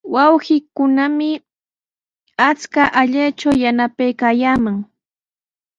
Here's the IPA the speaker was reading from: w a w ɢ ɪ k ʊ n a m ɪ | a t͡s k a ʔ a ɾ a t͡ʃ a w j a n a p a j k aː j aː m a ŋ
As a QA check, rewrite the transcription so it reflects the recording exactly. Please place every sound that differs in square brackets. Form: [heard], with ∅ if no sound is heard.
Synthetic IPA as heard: w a w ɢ ɪ k ʊ n a m ɪ | a t͡s k a ʔ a [ʎ] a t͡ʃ a w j a n a p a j k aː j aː m a ŋ